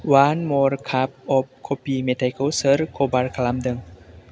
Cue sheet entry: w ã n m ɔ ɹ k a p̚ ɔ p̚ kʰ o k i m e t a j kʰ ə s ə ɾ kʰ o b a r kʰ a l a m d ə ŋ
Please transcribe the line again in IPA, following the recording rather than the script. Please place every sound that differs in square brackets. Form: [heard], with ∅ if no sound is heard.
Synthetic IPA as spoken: w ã n m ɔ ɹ [kʰ] a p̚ ɔ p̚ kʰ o [p] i m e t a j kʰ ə s ə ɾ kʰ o b a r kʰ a l a m d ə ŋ